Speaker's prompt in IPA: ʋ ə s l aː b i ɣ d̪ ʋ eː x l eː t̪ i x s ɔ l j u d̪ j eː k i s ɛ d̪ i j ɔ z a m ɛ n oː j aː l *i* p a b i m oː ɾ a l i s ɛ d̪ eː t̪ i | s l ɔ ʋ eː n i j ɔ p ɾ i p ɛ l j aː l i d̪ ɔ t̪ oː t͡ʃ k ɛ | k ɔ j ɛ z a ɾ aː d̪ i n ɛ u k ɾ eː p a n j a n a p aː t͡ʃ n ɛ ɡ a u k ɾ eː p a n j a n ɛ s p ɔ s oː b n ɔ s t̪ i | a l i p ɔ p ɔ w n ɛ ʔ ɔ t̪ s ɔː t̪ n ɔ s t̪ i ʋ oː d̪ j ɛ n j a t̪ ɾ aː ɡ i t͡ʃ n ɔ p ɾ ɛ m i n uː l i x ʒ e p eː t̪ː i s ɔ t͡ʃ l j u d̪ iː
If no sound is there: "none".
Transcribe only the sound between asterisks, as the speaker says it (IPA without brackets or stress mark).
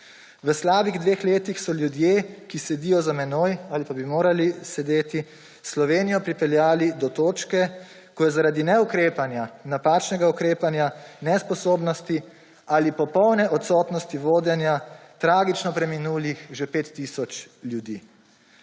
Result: i